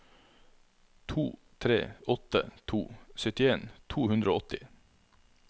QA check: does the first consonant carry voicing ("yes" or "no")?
no